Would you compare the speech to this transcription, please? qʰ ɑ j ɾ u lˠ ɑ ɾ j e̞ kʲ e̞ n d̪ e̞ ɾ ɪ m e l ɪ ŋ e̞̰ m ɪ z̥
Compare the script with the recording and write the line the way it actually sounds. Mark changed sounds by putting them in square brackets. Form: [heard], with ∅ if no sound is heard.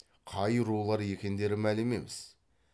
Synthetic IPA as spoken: qʰ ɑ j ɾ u lˠ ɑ ɾ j e̞ kʲ e̞ n d̪ e̞ ɾ ɪ m [æ] l ɪ [m] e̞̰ m ɪ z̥